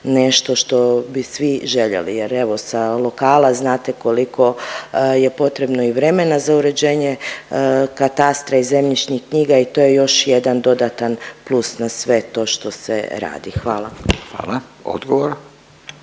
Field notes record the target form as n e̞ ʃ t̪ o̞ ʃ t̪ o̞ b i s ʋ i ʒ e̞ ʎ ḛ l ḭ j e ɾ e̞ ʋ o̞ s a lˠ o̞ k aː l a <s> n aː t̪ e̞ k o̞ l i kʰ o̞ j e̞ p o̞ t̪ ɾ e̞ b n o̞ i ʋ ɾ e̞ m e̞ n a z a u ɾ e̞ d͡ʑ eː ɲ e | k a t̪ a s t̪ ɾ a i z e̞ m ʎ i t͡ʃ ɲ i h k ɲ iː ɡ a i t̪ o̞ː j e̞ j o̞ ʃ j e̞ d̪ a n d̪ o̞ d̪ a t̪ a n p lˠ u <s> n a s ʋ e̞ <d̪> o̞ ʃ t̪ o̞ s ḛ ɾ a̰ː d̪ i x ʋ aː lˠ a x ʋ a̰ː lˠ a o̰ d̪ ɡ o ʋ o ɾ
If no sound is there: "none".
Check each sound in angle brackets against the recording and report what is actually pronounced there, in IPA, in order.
z, s, t̪

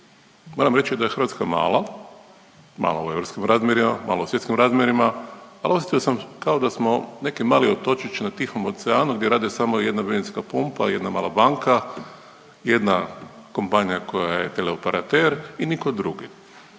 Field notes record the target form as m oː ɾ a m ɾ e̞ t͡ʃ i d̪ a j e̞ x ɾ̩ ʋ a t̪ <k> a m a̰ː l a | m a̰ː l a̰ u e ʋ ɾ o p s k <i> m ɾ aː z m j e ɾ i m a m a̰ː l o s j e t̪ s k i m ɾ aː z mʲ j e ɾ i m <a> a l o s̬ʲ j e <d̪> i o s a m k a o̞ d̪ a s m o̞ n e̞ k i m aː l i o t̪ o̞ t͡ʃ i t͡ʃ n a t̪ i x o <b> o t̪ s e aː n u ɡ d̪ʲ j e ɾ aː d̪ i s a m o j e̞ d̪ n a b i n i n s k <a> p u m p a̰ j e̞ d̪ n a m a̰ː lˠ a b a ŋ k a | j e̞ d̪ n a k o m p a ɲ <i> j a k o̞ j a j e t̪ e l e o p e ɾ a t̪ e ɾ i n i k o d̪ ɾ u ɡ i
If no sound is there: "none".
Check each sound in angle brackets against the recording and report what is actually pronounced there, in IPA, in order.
k, i, a, t̪, m, a, i

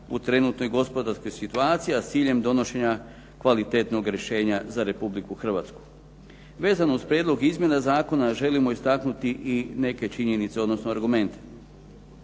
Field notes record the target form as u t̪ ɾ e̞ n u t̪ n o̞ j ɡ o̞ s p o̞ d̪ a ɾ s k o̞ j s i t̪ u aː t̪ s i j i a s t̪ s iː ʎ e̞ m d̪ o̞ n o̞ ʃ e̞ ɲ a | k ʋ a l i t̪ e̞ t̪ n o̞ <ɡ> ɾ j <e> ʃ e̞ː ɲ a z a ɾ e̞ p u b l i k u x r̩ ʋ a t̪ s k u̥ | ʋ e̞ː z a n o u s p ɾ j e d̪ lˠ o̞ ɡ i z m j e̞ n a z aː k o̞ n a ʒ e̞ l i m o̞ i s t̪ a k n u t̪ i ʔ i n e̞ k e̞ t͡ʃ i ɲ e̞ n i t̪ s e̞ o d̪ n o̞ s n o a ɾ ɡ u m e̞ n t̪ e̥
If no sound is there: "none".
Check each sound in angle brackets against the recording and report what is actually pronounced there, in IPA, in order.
ɡ, e

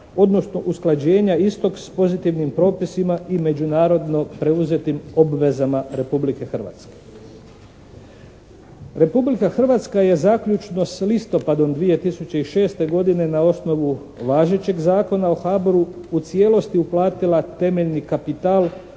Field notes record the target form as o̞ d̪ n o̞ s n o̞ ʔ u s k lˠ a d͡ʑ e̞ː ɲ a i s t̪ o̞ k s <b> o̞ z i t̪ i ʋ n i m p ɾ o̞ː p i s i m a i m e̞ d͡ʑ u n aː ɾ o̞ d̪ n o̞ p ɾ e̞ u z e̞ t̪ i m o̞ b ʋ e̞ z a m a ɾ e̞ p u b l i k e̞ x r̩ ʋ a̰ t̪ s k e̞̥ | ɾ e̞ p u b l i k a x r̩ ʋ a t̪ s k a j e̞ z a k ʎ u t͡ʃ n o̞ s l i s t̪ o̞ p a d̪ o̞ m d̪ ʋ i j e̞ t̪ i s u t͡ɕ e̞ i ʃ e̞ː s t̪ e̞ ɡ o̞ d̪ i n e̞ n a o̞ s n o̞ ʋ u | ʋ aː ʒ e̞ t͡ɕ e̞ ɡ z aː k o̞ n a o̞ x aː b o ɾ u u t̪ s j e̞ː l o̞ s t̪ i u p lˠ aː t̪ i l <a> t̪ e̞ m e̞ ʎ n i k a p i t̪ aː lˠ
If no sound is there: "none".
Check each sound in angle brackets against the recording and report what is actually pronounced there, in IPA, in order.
p, a

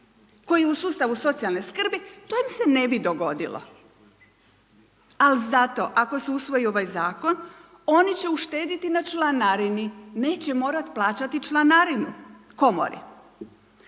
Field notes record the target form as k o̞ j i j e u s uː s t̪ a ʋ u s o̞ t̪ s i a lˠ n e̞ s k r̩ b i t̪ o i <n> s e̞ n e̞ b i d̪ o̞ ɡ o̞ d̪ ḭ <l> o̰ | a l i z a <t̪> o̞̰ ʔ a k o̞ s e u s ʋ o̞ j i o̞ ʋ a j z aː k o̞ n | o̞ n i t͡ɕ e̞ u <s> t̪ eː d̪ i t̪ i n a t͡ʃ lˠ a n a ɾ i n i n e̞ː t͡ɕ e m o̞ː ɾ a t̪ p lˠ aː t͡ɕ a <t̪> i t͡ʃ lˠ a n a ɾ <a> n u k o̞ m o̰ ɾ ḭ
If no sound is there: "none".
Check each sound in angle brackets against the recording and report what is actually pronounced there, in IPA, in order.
m, l, t̪, ʃ, t̪, i

